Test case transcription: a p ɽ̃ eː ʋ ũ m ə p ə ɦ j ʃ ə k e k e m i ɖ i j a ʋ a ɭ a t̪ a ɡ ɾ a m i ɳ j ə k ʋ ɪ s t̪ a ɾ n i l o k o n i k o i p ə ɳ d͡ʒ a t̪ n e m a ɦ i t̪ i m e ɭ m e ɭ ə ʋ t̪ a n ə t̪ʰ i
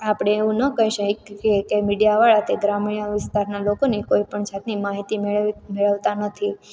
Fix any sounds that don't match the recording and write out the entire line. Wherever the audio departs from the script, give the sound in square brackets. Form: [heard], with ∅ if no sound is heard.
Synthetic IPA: a p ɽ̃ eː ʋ ũ [n] ə [k] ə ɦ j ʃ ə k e k e m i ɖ i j a ʋ a ɭ a t̪ [e] ɡ ɾ a m i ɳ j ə [∅] ʋ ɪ s t̪ a ɾ n [a] l o k o n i k o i p ə ɳ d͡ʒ a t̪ n [i] m a ɦ i t̪ i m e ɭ m e ɭ ə ʋ t̪ a n ə t̪ʰ i